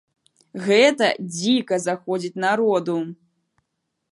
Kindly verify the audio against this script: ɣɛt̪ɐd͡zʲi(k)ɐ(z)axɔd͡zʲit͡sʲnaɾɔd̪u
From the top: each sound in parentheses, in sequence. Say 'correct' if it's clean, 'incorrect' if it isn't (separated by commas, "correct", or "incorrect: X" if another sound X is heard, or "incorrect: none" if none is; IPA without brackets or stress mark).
correct, correct